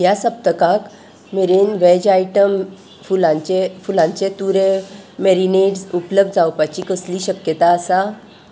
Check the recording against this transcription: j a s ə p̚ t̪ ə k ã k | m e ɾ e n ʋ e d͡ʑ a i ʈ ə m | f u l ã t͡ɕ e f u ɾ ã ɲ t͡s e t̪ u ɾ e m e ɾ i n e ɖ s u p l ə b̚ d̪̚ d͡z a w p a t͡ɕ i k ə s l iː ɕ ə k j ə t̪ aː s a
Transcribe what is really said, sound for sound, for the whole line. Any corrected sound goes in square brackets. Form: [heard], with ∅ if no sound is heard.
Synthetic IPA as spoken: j a s ə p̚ t̪ ə k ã k | m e ɾ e n ʋ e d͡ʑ a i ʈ ə m | f u l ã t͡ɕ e f u [l] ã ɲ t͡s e t̪ u ɾ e m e ɾ i n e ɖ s u p l ə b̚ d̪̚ d͡z a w p a t͡ɕ i k ə s l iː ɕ ə k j ə t̪ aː s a